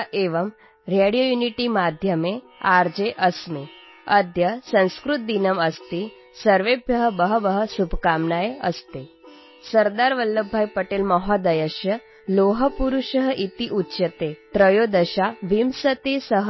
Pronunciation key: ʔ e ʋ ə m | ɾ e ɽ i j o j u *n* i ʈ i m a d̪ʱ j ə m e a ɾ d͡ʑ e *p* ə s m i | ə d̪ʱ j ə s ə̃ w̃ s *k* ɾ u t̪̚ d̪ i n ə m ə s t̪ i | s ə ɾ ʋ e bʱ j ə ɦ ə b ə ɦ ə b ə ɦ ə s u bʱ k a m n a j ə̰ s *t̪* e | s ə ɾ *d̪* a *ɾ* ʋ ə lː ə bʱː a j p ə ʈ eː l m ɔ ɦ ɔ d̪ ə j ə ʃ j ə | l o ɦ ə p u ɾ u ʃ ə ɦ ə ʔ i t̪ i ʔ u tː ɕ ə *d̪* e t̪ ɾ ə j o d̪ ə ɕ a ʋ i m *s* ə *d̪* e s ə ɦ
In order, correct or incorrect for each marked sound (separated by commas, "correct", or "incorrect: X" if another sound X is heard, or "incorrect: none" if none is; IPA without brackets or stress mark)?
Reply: correct, incorrect: ʔ, correct, correct, correct, correct, incorrect: t̪, correct, incorrect: t̪